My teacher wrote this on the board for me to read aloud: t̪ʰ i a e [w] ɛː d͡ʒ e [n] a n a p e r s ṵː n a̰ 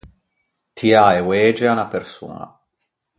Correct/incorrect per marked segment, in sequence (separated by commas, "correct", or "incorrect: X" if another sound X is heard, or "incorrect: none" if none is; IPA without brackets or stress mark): correct, incorrect: none